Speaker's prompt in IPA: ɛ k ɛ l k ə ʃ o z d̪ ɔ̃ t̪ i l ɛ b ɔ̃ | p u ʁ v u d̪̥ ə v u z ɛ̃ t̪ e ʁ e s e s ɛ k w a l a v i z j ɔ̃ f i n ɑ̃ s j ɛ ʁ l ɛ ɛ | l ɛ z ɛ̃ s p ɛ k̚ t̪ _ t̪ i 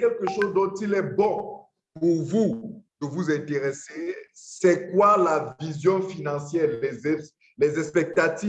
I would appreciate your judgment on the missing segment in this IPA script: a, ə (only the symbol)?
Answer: a